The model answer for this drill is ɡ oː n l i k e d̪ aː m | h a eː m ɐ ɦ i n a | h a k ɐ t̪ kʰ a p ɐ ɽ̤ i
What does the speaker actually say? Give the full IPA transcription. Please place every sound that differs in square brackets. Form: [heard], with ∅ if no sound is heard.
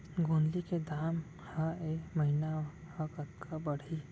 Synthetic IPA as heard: ɡ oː n l i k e d̪ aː m | h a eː m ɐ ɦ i n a | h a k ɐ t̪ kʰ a [b] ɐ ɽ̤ i